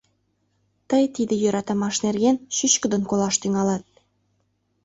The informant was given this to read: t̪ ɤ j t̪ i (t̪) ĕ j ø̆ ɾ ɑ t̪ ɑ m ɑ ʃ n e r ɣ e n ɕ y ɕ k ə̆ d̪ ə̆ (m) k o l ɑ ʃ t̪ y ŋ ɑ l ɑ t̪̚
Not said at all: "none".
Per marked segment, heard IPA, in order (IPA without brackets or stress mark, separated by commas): d̪, n